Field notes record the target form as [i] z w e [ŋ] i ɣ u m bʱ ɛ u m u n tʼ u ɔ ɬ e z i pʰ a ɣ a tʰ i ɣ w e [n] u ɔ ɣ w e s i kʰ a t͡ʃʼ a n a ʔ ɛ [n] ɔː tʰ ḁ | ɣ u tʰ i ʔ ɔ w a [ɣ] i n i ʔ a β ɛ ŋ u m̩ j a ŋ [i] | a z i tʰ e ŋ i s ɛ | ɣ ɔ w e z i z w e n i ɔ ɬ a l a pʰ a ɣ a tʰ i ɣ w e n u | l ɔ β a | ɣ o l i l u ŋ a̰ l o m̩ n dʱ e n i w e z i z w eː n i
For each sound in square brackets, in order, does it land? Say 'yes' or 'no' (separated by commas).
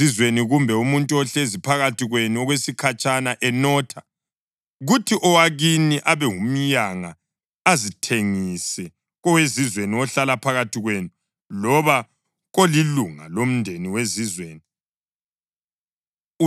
yes, no, yes, yes, yes, no